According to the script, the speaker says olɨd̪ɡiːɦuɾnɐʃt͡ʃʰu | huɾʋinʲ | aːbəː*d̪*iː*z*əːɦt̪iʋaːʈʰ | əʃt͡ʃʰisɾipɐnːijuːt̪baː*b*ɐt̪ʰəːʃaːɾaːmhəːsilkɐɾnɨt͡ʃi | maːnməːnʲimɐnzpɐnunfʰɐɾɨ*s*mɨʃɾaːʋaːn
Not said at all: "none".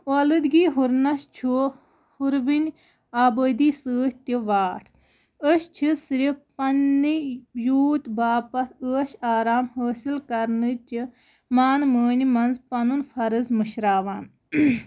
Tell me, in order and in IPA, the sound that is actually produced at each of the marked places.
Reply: d̪, s, p, z

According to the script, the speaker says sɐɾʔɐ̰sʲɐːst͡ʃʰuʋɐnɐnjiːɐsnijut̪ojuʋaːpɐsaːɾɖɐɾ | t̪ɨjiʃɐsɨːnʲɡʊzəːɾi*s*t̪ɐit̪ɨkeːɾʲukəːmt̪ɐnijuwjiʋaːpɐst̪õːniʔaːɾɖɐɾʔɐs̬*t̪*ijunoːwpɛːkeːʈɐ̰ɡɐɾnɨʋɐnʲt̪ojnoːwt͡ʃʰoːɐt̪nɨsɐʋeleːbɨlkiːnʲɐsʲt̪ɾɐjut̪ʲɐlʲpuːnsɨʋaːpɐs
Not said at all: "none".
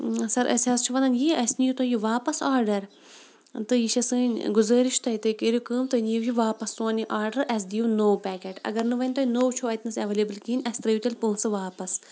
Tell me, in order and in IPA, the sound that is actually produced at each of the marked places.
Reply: ʃ, d̪

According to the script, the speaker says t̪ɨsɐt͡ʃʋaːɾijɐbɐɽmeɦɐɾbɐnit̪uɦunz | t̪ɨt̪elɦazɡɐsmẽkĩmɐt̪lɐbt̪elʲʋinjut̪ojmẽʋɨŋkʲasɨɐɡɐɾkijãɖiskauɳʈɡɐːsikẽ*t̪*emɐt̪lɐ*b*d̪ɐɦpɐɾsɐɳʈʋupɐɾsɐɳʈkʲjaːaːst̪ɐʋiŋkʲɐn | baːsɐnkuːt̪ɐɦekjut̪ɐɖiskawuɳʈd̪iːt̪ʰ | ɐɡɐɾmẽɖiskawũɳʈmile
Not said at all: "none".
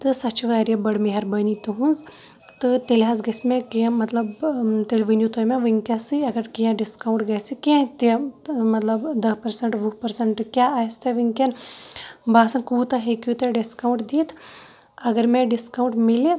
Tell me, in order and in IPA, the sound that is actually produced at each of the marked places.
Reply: t̪, b

